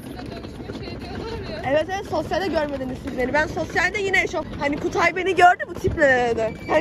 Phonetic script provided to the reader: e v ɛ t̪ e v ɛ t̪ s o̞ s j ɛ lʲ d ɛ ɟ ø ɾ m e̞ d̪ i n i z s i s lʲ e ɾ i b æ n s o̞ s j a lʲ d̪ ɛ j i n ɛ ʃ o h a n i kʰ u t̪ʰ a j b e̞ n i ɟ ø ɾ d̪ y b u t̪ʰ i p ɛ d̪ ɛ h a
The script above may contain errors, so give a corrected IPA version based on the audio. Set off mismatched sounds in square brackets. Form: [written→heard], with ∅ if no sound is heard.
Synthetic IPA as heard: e v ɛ t̪ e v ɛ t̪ s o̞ s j [ɛ→a] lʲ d ɛ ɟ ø ɾ m e̞ d̪ i n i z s i [s→z] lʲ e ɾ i b æ n s o̞ s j a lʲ d̪ ɛ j i n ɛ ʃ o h a n i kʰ u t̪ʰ a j b e̞ n i ɟ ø ɾ d̪ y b u t̪ʰ i p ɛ d̪ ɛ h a